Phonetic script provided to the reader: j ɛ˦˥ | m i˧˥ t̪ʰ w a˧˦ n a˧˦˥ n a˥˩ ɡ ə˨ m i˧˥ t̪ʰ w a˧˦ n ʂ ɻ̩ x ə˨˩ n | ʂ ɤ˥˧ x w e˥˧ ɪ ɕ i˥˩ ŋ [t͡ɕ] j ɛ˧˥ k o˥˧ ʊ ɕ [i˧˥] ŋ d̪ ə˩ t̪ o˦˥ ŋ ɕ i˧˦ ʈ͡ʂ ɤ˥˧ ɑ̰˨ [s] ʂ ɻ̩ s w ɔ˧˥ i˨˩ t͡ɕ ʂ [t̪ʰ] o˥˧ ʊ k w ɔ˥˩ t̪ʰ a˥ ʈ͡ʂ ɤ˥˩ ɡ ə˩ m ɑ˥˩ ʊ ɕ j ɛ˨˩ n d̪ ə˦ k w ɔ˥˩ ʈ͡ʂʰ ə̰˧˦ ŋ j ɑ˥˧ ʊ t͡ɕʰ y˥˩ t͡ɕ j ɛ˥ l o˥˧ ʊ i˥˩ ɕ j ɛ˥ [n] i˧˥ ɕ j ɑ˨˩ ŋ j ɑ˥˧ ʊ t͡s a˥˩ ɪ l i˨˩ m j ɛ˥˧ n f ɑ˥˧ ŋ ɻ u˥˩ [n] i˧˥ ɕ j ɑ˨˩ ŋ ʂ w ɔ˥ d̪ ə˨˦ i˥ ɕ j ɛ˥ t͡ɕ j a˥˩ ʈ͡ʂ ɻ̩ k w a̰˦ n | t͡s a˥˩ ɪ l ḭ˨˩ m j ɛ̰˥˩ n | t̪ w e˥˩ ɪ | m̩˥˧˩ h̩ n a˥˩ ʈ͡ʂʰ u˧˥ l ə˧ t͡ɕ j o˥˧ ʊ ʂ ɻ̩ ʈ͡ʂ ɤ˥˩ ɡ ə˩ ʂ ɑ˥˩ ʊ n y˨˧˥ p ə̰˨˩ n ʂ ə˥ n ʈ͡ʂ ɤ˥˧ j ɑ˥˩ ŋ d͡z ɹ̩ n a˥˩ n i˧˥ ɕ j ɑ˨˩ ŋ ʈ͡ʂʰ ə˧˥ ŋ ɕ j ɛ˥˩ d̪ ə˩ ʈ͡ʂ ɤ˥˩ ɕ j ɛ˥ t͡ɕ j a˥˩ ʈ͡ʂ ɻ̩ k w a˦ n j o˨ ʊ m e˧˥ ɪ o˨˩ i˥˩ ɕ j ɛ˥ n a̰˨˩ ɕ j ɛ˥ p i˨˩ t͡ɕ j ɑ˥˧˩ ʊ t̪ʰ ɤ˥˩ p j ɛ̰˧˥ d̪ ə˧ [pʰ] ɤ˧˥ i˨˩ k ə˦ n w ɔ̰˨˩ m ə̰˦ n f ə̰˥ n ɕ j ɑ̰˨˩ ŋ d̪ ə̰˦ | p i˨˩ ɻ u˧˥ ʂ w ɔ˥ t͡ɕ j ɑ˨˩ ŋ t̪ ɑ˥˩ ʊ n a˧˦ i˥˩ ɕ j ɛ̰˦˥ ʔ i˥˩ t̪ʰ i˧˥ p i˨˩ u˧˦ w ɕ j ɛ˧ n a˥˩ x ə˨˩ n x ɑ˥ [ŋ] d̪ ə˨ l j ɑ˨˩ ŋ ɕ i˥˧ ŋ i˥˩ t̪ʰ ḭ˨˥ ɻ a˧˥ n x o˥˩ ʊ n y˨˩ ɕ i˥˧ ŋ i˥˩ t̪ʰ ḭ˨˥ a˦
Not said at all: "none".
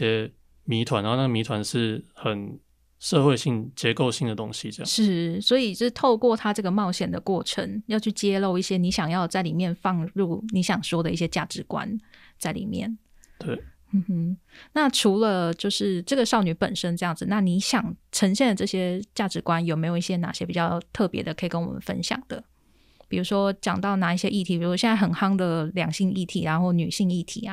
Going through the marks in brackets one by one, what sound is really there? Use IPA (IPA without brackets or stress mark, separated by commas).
t͡ɕ, i˥˩, ʂ, t̪ʰ, n, n, kʰ, ŋ